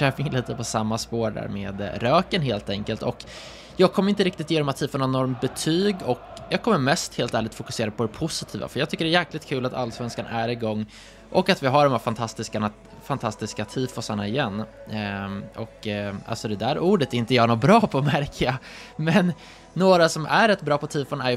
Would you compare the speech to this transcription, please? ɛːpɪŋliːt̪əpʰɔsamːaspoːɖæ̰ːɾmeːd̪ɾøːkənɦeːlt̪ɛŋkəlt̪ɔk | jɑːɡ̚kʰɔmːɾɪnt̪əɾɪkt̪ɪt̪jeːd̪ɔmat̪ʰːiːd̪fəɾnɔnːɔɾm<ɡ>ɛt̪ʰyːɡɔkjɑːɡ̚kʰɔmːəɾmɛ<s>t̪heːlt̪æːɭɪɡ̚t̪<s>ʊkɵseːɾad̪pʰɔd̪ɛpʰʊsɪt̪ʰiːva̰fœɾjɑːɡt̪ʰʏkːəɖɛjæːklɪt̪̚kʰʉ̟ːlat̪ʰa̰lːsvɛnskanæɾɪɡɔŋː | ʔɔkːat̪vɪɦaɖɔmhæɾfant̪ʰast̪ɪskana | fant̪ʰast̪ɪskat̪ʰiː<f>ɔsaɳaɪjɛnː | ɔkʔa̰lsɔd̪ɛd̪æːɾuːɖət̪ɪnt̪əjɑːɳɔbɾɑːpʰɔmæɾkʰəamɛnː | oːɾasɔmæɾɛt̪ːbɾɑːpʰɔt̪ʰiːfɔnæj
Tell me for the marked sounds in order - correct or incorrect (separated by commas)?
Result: incorrect, correct, incorrect, correct